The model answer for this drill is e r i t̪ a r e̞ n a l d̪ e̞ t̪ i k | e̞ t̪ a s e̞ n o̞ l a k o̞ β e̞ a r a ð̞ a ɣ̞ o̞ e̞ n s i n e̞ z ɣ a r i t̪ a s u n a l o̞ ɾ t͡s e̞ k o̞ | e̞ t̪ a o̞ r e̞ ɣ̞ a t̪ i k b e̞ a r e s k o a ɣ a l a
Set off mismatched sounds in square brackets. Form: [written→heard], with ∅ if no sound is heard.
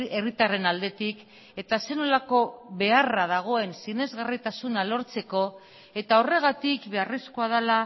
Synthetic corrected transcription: e r i t̪ a r e̞ n a l d̪ e̞ t̪ i k | e̞ t̪ a s e̞ n o̞ l a k o̞ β e̞ a r a ð̞ a ɣ̞ o̞ e̞ n s i n e̞ z ɣ a r i t̪ a s u n a l o̞ ɾ t͡s e̞ k o̞ | e̞ t̪ a o̞ r e̞ ɣ̞ a t̪ i k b e̞ a r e s k o a [ɣ→ð] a l a